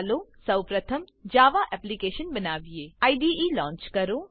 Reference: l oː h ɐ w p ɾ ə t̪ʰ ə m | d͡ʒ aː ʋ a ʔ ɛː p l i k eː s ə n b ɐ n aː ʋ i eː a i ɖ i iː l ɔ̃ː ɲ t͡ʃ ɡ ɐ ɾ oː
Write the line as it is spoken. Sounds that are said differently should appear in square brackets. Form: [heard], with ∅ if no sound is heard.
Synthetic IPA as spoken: l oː [s] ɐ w p ɾ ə t̪ʰ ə m | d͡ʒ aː ʋ a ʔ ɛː p l i k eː [ʃ] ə n b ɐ n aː ʋ i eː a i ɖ i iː l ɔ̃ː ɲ t͡ʃ [k] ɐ ɾ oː